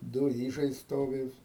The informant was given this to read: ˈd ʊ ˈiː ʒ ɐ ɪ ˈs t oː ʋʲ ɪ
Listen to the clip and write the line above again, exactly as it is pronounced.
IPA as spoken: ˈd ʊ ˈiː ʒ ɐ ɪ ˈs t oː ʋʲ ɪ